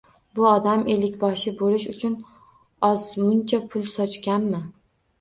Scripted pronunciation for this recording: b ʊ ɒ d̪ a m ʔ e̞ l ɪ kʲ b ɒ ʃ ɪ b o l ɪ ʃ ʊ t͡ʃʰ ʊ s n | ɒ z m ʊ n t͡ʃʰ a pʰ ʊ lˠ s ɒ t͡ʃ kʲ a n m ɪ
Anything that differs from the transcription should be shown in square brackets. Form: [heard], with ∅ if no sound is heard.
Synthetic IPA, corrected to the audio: b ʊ ɒ d̪ a m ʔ e̞ l ɪ kʲ b ɒ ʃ ɪ b o l ɪ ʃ ʊ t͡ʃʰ ʊ [∅] n | ɒ z m ʊ n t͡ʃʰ a pʰ ʊ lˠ s ɒ t͡ʃ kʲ a n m ɪ

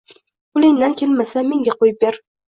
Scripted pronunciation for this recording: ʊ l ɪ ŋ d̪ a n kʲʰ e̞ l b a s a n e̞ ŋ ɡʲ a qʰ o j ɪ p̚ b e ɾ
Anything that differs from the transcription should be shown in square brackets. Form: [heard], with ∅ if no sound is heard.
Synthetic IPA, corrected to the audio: ʊ l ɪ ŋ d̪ a n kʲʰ e̞ l [m] a s a [m] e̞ ŋ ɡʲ a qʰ o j ɪ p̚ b e ɾ

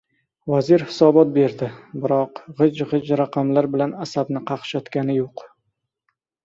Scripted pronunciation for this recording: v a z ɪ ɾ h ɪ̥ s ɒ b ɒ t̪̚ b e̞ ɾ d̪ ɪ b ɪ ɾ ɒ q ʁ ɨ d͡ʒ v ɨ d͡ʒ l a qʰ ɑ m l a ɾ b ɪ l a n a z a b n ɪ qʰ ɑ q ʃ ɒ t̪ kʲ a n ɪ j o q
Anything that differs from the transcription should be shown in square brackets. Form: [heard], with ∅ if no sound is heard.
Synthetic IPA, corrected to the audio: v a z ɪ ɾ h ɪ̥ s ɒ b ɒ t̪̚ b e̞ ɾ d̪ ɪ b ɪ ɾ ɒ q ʁ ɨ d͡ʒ [ʁ] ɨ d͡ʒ [ɾ] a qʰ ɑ m l a ɾ b ɪ l a n a [s] a b n ɪ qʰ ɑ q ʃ ɒ t̪ kʲ a n ɪ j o q

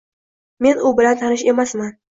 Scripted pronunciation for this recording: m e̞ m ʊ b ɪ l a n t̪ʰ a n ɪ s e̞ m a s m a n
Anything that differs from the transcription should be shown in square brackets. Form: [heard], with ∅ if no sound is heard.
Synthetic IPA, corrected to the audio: m e̞ [n] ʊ b ɪ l a n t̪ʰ a n ɪ [ʃ] e̞ m a s m a n

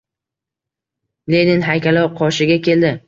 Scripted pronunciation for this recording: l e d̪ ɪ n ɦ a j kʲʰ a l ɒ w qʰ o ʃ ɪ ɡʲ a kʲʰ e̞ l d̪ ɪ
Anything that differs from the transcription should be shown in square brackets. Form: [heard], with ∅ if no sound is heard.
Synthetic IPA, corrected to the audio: l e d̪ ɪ n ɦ a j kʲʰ a l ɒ w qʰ [ɒ] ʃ ɪ ɡʲ a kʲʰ e̞ l d̪ ɪ

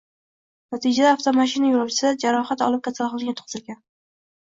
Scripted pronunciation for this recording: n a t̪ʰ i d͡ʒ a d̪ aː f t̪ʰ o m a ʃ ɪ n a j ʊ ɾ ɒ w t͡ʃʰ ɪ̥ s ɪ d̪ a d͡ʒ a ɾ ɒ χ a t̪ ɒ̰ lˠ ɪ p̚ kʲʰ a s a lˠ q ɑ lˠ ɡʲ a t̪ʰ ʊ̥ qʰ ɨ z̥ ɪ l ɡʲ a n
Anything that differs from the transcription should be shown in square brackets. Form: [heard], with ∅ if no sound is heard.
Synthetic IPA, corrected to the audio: n a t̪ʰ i d͡ʒ a d̪ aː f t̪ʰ o m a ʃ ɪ n a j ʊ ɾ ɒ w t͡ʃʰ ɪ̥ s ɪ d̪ a d͡ʒ a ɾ ɒ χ a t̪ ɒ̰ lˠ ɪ p̚ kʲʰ a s a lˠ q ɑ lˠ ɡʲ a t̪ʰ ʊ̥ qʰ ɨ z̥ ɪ l ɡʲ a n

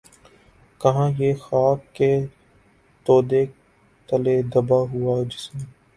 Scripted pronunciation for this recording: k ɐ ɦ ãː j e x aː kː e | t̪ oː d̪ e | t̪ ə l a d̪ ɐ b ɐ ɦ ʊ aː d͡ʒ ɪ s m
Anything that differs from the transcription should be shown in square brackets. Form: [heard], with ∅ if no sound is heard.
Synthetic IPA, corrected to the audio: k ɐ ɦ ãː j e x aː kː e | t̪ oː d̪ e | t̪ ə l [e] d̪ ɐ b [a] ɦ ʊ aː d͡ʒ ɪ s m

